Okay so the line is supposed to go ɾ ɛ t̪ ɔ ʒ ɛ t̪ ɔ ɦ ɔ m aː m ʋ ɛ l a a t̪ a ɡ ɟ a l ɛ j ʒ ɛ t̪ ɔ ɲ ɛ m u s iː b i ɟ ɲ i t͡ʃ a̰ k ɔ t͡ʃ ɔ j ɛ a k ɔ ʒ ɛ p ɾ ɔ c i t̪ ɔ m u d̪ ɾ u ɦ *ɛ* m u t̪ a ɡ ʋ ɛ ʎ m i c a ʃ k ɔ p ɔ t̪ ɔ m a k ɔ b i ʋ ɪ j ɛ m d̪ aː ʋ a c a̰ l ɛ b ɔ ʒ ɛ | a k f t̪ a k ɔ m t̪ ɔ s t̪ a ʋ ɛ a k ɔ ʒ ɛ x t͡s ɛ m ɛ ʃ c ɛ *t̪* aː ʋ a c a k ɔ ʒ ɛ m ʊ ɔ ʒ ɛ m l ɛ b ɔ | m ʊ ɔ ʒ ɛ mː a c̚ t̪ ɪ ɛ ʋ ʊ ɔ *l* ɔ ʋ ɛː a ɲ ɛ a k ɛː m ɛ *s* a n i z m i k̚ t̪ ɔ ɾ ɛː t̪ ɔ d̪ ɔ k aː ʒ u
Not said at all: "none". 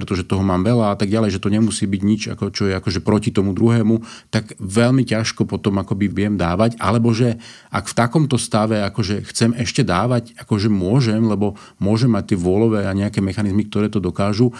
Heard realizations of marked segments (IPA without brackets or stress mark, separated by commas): ɛː, d̪, l, x